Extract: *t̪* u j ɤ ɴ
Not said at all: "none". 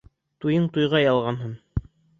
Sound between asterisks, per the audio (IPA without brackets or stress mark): t̪